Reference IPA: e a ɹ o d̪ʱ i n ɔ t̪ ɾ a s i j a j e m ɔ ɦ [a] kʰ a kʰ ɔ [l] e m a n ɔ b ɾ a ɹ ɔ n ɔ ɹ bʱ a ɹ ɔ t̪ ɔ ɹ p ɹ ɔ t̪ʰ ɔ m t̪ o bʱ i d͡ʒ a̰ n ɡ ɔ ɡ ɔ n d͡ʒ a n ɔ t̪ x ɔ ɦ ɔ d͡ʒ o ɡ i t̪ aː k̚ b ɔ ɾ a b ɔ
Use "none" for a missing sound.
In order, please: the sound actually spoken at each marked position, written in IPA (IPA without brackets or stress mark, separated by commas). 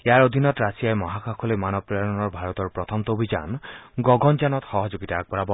a, l